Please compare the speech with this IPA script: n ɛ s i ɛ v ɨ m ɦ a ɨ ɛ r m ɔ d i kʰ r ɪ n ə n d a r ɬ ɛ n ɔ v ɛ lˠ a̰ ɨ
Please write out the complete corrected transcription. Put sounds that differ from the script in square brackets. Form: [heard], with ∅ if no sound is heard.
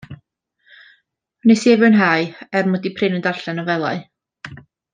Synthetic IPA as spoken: n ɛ s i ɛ v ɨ [n] ɦ a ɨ ɛ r m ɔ d i [pʰ] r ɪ n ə n d a r ɬ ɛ n ɔ v ɛ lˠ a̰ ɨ